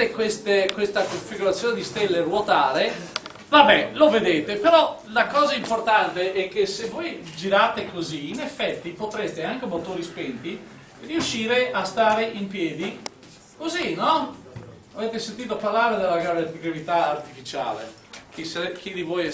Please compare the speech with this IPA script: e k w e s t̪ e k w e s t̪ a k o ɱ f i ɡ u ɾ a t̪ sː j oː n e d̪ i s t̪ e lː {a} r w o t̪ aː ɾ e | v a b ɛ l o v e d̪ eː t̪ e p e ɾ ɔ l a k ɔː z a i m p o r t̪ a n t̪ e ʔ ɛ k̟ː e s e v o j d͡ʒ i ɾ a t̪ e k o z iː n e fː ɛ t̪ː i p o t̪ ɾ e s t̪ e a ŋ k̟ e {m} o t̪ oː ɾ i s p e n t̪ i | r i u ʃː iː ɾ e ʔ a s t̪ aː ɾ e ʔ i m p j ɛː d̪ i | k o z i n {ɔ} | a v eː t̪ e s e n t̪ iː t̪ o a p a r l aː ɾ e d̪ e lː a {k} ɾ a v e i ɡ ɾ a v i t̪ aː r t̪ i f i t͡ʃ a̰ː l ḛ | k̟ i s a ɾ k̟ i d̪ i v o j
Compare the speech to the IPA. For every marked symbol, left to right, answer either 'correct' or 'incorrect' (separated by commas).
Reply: incorrect, correct, correct, incorrect